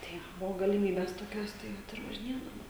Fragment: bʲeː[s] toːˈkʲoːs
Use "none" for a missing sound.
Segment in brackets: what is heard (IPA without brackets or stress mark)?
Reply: s